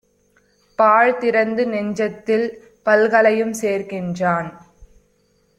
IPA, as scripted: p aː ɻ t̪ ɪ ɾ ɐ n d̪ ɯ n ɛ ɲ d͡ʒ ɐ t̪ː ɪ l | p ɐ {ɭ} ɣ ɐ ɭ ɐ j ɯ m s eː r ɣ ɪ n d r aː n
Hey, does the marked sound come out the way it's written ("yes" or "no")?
no